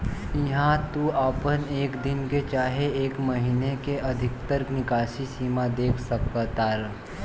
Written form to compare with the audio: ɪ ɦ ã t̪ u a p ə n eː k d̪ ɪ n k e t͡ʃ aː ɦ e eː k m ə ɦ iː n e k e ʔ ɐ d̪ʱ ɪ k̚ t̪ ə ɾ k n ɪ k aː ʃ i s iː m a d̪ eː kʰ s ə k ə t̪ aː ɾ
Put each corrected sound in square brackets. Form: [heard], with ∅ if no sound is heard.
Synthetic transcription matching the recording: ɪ ɦ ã t̪ u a p ə n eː k d̪ ɪ n k e t͡ʃ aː ɦ e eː k m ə ɦ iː n e k e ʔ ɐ d̪ʱ ɪ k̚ t̪ ə ɾ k n ɪ k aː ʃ i s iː m a d̪ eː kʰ s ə k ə t̪ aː ɾ